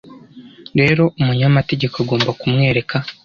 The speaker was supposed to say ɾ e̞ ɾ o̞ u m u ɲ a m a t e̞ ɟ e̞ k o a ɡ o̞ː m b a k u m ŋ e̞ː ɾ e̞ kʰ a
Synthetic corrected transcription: ɾ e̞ ɾ o̞ u m u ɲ a m a t e̞ ɟ e̞ k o a ɡ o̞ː m b a k u m ŋ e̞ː ɾ e̞ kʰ a